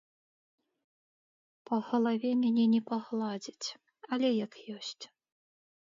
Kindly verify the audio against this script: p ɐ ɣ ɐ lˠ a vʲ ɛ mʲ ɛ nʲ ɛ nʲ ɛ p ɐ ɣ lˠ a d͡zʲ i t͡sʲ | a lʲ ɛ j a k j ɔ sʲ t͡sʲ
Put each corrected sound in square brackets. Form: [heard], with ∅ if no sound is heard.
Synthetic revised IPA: p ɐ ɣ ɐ lˠ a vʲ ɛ mʲ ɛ nʲ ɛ nʲ ɛ p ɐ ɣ lˠ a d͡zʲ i t͡sʲ | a lʲ ɛ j a k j ɔ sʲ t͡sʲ